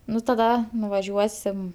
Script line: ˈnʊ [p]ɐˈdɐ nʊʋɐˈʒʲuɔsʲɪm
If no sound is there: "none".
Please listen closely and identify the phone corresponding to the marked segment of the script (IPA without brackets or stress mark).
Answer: t